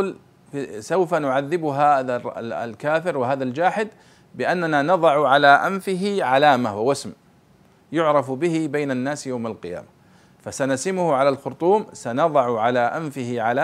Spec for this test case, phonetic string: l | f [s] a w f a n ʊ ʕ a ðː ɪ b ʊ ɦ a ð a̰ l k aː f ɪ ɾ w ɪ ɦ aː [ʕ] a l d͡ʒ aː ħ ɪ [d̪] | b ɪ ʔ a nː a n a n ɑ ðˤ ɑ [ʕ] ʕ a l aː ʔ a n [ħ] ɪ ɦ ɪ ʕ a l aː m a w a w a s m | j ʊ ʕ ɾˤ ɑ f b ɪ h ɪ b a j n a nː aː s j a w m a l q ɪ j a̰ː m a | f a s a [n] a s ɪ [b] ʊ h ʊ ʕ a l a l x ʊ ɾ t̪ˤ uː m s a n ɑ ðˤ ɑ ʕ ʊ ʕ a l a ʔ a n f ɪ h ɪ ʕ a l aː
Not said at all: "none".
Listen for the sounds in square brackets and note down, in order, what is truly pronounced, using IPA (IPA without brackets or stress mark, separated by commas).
s, ð, d̪, ʕ, f, n, m